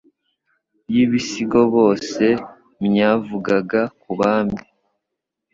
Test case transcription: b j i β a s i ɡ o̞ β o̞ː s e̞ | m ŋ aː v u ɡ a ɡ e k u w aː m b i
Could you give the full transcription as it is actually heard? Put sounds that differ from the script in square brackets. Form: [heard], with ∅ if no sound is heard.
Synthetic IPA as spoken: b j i β [i] s i ɡ o̞ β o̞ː s e̞ | m [ɲ] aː v u ɡ a ɡ [a] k u [β] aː m b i